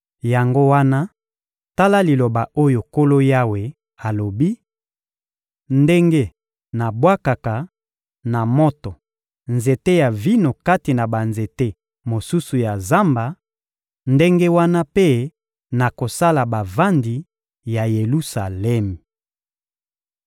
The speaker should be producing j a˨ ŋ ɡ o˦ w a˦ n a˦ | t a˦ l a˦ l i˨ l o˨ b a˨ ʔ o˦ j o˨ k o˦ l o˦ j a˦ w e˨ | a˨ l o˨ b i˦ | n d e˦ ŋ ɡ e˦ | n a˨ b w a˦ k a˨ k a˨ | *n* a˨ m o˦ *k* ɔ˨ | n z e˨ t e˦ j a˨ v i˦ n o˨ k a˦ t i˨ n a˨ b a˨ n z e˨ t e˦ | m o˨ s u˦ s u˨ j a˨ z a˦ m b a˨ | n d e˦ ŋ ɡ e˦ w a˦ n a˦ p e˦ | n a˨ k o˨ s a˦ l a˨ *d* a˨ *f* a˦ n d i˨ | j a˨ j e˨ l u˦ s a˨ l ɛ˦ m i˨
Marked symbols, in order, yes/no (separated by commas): yes, no, no, no